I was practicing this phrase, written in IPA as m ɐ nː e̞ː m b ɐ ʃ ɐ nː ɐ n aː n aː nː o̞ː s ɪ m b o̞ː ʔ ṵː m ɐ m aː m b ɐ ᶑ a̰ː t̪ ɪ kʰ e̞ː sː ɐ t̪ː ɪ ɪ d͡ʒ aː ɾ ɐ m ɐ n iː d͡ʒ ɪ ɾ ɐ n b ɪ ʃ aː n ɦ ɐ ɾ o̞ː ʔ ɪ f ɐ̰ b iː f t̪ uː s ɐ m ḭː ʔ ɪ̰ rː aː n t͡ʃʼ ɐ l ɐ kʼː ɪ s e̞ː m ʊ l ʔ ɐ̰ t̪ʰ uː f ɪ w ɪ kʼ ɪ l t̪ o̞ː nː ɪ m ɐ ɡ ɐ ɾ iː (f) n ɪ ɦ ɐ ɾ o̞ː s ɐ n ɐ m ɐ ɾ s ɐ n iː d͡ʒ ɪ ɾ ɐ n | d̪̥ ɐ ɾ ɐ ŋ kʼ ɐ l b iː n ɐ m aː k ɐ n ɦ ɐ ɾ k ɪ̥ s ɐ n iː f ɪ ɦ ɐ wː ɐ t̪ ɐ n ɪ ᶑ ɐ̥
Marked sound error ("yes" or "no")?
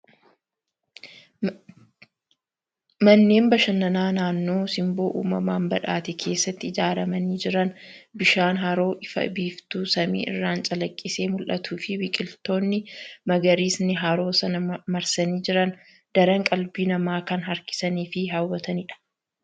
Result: yes